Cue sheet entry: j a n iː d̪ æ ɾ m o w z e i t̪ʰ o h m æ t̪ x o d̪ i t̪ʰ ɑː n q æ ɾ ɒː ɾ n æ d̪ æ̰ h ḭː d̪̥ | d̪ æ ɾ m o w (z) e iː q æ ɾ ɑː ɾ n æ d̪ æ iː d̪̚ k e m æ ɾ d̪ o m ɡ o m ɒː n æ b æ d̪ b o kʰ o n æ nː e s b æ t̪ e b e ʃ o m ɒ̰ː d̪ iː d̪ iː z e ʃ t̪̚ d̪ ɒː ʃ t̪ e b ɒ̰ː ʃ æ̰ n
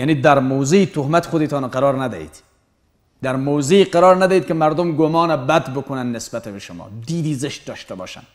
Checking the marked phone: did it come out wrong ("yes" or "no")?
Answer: no